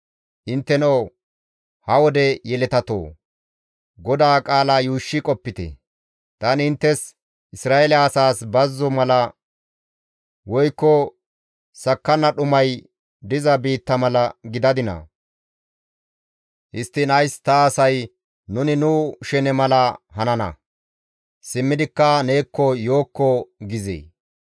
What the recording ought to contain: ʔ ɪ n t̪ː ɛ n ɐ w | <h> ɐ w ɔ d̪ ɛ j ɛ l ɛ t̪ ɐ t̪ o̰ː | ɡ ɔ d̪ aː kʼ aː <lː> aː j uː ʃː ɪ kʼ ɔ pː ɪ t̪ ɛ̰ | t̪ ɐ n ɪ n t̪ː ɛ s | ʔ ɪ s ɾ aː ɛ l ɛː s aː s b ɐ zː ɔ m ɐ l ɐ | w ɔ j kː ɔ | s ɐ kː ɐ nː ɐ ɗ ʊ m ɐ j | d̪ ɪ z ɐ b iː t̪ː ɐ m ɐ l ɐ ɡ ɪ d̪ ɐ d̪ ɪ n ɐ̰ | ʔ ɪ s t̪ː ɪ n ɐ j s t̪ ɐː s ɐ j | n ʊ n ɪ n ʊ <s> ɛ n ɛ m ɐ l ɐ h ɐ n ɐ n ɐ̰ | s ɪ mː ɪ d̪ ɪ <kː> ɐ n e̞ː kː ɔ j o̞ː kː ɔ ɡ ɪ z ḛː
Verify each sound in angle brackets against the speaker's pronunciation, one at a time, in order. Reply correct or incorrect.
correct, incorrect: l, incorrect: ʃ, correct

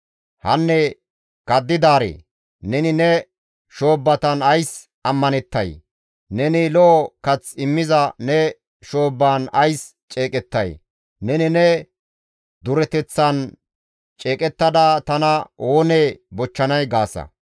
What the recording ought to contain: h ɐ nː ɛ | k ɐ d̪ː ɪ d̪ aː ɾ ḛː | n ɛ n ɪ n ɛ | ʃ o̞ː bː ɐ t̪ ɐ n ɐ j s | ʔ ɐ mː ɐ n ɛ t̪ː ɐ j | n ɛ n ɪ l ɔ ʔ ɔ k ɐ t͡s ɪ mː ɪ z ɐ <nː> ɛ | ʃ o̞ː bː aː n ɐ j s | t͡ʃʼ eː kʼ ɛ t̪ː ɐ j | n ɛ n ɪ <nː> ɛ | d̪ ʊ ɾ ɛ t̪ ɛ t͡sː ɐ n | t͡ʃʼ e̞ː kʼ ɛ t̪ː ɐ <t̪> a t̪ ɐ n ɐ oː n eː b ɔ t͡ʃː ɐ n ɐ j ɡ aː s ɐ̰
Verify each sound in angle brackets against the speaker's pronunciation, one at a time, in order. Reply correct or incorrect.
incorrect: n, incorrect: n, incorrect: d̪

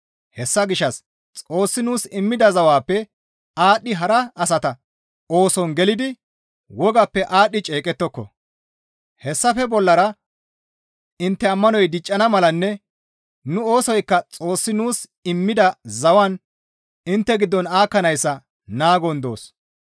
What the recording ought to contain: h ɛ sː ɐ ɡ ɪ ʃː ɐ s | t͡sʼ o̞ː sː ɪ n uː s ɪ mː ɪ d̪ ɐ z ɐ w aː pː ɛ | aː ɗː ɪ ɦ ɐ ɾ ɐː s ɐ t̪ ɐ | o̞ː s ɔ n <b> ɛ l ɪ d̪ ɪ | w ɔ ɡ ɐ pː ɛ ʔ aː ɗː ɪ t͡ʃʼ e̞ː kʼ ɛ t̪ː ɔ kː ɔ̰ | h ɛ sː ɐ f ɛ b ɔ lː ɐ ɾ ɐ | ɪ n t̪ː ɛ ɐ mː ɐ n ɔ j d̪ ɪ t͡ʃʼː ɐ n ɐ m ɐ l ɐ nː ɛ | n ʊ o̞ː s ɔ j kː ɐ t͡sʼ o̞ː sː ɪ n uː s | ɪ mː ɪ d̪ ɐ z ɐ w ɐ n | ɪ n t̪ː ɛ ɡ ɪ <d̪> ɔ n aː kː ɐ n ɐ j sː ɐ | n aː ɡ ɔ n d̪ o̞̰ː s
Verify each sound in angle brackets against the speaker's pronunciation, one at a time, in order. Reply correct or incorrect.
incorrect: ɡ, incorrect: d̪ː

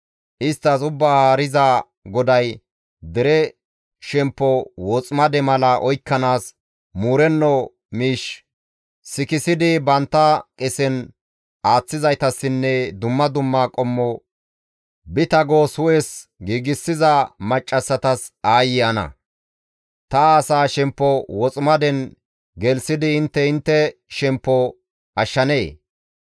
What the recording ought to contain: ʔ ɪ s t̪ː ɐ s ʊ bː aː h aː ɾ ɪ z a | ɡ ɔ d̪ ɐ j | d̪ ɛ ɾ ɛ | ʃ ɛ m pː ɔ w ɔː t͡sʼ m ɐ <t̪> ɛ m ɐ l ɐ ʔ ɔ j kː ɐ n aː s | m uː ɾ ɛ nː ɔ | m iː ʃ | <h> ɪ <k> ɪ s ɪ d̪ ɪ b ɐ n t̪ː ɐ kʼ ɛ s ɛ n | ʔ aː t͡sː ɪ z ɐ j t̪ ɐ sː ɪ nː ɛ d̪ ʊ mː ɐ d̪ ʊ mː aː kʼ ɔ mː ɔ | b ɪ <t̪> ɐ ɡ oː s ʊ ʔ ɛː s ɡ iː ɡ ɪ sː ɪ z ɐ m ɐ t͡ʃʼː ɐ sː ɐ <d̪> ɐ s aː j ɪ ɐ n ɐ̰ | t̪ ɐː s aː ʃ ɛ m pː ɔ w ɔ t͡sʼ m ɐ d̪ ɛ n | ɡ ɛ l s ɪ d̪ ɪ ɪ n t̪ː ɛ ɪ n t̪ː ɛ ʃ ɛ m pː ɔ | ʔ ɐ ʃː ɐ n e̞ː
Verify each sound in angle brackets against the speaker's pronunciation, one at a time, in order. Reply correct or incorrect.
incorrect: d̪, incorrect: s, correct, correct, incorrect: t̪

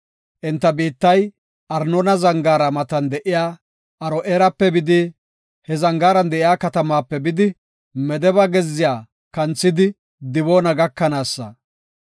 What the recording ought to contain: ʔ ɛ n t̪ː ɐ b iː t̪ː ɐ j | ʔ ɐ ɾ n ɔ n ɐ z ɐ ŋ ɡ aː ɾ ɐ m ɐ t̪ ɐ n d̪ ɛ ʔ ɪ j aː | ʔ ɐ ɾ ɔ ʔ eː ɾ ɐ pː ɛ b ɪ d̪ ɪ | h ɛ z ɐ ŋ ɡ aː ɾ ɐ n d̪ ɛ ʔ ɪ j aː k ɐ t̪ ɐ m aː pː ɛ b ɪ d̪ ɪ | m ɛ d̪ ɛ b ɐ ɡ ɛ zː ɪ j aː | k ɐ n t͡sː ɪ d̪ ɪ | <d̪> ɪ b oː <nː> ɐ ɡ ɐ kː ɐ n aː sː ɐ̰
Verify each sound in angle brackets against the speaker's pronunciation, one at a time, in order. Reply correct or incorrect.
correct, incorrect: n

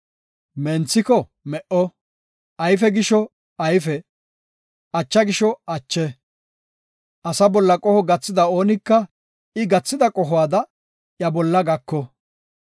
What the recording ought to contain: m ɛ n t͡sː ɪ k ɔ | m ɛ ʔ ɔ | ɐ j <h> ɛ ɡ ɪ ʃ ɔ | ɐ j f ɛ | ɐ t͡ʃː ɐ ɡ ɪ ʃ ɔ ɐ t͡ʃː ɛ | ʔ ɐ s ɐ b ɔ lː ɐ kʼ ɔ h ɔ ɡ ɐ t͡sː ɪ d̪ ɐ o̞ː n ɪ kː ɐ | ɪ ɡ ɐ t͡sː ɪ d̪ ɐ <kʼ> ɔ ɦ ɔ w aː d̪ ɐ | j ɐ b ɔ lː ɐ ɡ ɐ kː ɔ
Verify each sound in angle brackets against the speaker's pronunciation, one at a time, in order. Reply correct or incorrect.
incorrect: f, correct

